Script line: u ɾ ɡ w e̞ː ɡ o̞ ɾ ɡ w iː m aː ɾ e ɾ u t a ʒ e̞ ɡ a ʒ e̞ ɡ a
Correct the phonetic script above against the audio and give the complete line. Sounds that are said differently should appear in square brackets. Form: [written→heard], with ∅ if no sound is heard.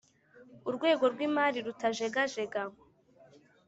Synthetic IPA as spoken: u ɾ ɡ w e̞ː ɡ o̞ ɾ ɡ w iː m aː ɾ [e→i] ɾ u t a ʒ e̞ ɡ a ʒ e̞ ɡ a